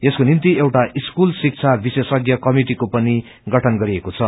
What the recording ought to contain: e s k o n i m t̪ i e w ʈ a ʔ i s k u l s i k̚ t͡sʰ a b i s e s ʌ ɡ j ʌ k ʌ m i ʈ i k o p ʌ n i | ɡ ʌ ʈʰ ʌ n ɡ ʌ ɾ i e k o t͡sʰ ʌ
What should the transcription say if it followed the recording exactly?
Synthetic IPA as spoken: e s k o n i n t̪ i e w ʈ a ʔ i s k u l s i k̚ t͡sʰ a b i s e s ʌ ɡ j ʌ k ʌ m i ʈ i k o p ʌ n i | ɡ ʌ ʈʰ ʌ n ɡ ʌ ɾ i e k o t͡sʰ ʌ

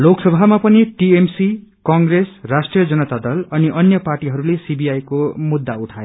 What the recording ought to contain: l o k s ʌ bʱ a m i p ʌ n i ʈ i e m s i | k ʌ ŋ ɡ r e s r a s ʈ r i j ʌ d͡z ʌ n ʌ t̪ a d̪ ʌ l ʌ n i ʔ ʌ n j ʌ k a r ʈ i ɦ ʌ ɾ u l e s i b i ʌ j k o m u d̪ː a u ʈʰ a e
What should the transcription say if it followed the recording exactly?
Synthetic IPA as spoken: l o k s ʌ bʱ a m a p ʌ n i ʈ i e m s i | k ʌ ŋ ɡ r e s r a s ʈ r i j ʌ d͡z ʌ n ʌ t̪ a d̪ ʌ l ʌ n i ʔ ʌ n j ʌ p a r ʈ i ɦ ʌ ɾ u l e s i b i a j k o m u d̪ː a u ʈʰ a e

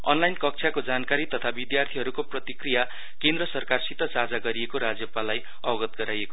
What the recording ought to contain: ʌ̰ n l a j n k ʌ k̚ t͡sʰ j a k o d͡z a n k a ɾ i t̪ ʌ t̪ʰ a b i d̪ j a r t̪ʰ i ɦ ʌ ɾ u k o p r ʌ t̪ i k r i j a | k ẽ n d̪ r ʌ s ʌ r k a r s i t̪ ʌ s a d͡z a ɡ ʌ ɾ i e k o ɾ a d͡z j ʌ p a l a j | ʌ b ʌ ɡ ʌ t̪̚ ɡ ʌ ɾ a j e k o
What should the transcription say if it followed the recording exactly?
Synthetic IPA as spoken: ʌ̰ n l a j n k ʌ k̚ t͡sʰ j a k o d͡z a n k a ɾ i t̪ ʌ t̪ʰ a b i d̪ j a r t̪ʰ i ɦ ʌ ɾ u k o p r ʌ t̪ i k r i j a | k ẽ n d̪ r ʌ s ʌ r k a r s i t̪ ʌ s a d͡z a ɡ ʌ ɾ i e k o ɾ a d͡z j ʌ p a l a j | ʌ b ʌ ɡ ʌ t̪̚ ɡ ʌ ɾ a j e k o

